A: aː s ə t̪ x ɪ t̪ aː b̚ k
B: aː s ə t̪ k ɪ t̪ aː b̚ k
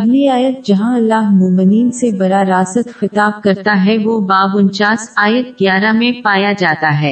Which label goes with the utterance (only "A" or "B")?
A